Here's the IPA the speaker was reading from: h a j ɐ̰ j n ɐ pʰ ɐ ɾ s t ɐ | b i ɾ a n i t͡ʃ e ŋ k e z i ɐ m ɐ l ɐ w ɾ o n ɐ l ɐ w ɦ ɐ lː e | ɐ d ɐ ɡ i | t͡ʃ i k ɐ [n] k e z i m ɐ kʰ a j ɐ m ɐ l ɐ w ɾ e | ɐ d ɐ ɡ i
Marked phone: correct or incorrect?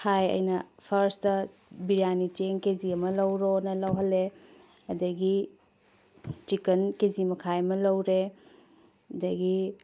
correct